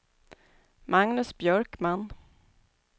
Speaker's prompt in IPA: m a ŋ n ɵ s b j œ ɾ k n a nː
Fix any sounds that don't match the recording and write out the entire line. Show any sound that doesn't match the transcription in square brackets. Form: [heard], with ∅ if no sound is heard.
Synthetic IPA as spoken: m a ŋ n ɵ s b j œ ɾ k [m] a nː